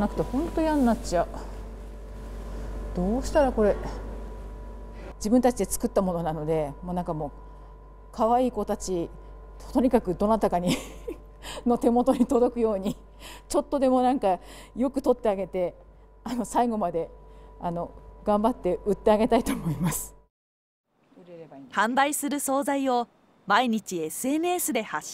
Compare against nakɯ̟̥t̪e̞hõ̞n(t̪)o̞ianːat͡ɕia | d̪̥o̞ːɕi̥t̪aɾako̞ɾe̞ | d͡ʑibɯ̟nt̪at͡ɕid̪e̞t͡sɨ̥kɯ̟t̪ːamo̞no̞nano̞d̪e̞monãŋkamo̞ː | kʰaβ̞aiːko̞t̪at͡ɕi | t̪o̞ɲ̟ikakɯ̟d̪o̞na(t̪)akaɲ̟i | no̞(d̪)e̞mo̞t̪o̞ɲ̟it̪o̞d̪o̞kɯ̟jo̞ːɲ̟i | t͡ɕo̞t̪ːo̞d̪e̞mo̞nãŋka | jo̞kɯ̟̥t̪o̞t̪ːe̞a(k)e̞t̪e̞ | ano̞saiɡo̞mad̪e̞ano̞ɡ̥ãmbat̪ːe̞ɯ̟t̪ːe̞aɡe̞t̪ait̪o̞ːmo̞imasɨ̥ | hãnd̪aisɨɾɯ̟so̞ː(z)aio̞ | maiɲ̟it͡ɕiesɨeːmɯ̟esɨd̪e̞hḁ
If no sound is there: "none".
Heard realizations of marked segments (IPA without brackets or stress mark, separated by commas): t̪, t̪, t̪, ɡ, z